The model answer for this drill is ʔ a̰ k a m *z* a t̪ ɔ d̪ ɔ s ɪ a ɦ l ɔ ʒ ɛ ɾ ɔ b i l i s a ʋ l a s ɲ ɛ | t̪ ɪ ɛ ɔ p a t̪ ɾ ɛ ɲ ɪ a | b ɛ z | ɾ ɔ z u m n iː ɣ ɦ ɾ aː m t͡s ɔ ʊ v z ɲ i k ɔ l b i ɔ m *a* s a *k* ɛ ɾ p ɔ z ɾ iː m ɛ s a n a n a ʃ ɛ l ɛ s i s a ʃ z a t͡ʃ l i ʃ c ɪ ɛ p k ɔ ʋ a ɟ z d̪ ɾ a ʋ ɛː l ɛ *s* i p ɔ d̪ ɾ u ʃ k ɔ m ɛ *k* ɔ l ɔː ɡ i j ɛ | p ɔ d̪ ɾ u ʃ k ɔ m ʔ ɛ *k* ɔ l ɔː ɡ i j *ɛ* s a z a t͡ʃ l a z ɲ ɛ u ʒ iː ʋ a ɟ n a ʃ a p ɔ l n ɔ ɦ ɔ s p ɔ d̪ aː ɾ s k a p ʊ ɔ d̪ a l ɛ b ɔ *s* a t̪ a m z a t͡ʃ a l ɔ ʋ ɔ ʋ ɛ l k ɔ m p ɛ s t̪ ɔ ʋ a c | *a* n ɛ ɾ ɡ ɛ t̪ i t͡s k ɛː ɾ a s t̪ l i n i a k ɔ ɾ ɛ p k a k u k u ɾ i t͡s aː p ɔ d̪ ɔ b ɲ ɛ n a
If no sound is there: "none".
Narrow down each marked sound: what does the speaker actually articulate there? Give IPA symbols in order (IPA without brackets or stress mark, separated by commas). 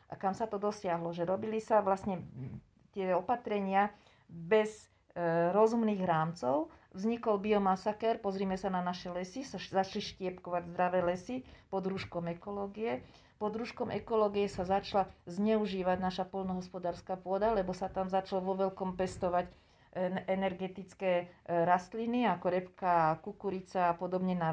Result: s, a, k, s, k, k, ɛ, s, ɛ